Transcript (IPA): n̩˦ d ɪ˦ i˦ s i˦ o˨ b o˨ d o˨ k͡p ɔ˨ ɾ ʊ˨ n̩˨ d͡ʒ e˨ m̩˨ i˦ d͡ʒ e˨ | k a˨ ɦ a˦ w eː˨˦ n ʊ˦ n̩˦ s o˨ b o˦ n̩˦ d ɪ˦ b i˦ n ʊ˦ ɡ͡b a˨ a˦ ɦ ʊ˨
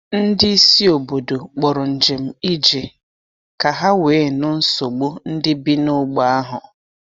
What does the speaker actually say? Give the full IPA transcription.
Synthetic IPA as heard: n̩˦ d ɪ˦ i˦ s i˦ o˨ b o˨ d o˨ k͡p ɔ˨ ɾ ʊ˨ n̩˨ d͡ʒ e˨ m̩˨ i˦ d͡ʒ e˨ | k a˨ ɦ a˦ w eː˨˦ n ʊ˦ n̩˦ s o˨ ɡ͡b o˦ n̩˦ d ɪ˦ b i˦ n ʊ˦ ɡ͡b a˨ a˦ ɦ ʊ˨

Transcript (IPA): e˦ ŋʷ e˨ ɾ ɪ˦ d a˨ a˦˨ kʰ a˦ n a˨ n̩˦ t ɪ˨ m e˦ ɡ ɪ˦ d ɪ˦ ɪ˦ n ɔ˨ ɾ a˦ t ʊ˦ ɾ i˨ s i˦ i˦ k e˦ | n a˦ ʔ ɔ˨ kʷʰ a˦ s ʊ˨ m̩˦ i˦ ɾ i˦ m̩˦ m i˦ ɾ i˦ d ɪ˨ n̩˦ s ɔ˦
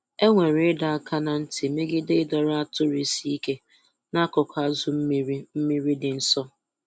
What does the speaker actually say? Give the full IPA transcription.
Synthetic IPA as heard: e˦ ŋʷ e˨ ɾ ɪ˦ d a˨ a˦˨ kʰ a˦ n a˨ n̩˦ t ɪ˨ m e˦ ɡ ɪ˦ d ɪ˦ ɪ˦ d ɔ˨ ɾ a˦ t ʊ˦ ɾ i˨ s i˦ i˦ k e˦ | n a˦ k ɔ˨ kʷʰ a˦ z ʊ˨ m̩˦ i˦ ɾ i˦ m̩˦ m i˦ ɾ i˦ d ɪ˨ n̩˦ s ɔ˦

